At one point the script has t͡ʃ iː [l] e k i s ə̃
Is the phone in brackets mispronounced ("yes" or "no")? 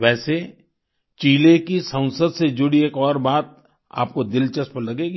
no